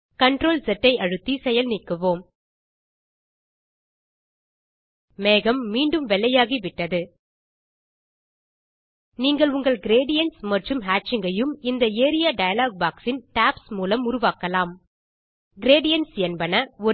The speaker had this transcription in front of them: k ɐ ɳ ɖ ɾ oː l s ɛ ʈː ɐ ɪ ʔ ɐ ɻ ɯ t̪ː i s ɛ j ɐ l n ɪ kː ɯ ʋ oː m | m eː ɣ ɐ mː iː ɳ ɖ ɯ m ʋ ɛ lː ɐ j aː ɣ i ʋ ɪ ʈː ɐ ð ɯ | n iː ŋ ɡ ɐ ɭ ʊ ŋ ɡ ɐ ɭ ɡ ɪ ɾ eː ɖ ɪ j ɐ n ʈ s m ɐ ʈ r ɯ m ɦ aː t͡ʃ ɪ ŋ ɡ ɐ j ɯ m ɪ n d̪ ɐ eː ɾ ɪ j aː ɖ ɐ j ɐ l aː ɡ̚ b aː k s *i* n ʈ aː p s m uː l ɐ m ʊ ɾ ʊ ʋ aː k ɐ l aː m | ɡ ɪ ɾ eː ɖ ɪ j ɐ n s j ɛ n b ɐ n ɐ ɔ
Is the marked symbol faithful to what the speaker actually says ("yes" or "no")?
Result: no